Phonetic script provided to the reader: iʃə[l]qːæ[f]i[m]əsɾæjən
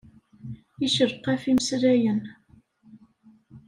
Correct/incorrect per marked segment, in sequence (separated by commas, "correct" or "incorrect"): incorrect, correct, correct